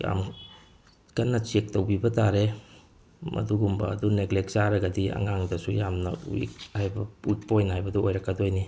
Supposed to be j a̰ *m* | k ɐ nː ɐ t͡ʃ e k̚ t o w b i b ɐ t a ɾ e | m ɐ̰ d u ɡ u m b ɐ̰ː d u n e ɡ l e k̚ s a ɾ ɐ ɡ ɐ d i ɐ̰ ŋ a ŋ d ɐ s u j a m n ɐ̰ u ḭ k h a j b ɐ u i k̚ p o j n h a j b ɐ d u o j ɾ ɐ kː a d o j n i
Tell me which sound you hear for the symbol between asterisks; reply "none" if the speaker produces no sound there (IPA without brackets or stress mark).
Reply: m